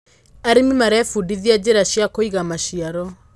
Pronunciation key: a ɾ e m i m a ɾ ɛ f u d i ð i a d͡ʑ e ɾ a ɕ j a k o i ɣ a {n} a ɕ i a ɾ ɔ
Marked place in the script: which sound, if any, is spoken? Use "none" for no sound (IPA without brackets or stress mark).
m